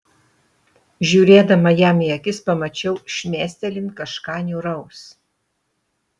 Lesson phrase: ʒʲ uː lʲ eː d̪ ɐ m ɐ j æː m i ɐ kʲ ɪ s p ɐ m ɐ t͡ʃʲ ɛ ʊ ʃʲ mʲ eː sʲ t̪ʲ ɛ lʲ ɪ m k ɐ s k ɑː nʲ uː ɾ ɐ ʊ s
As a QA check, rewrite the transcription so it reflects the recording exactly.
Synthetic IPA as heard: ʒʲ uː ɾʲ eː d̪ ɐ m ɐ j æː m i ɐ kʲ ɪ s p ɐ m ɐ t͡ʃʲ ɛ ʊ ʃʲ mʲ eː sʲ t̪ʲ ɛ lʲ ɪ n k ɐ ʃ k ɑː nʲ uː ɾ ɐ ʊ s